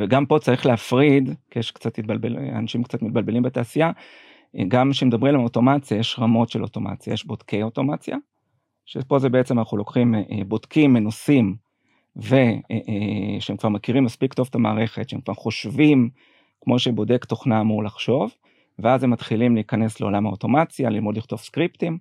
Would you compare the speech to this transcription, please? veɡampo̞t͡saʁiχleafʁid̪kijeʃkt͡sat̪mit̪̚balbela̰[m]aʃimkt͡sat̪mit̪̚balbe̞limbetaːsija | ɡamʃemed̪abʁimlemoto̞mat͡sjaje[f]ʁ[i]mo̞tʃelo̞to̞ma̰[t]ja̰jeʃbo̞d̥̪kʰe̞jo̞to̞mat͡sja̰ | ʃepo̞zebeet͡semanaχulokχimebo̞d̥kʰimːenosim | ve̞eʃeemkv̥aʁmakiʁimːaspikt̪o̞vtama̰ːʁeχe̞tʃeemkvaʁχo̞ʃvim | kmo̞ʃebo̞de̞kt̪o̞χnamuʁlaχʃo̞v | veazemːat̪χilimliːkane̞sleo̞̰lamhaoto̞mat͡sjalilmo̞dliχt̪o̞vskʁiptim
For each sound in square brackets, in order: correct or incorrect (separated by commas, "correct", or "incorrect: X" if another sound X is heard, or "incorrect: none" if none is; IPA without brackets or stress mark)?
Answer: incorrect: n, incorrect: ʃ, incorrect: a, incorrect: t͡s